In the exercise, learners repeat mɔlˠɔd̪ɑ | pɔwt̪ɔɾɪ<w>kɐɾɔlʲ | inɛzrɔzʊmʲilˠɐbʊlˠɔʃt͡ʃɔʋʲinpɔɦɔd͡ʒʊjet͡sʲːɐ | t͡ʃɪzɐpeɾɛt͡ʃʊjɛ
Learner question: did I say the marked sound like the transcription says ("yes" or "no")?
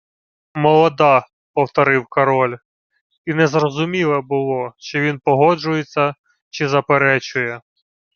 yes